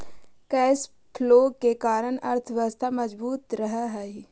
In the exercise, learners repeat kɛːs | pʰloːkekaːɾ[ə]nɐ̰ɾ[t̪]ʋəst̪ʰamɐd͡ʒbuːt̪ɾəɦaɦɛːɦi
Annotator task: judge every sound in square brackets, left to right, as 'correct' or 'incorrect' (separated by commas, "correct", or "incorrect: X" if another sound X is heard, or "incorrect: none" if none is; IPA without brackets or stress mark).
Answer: correct, incorrect: t̪ʰ